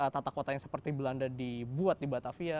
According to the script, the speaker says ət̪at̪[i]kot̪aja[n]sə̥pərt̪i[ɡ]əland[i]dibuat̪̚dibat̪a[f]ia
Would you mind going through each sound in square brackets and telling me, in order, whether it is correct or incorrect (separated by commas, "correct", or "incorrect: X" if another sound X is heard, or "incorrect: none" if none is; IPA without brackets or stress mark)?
incorrect: a, incorrect: ŋ, incorrect: b, incorrect: a, correct